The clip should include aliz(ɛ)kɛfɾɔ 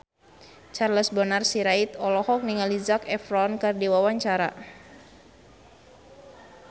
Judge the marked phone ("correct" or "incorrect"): incorrect